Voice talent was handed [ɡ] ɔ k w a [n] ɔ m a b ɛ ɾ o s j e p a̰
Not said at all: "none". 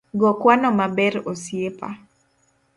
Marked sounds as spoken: ɡ, n

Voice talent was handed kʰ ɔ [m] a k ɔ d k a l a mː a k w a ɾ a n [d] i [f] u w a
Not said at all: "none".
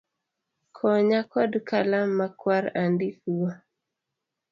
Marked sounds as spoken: ɲ, d, f

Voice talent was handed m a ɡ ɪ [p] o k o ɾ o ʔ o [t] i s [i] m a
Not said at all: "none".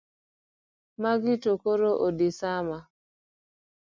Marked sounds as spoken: t, d, a

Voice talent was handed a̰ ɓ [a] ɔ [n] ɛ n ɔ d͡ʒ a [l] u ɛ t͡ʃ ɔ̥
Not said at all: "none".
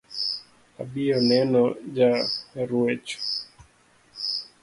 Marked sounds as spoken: i, n, ɾ

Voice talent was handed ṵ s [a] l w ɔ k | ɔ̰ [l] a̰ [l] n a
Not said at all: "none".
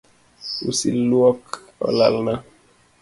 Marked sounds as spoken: i, l, l

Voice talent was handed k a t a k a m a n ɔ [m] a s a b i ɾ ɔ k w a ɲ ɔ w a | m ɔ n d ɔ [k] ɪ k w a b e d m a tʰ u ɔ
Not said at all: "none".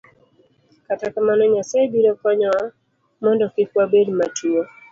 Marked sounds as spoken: ɲ, k

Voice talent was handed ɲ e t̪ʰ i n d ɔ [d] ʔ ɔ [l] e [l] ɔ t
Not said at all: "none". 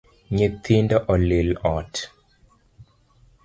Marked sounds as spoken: none, l, l

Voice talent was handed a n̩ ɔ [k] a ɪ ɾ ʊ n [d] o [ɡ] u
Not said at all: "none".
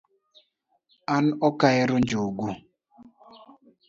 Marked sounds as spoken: k, d͡ʒ, ɡ

